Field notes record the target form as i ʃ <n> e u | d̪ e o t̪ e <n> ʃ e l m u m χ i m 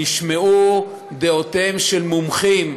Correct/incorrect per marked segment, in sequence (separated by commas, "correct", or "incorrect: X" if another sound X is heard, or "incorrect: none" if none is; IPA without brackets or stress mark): incorrect: m, incorrect: m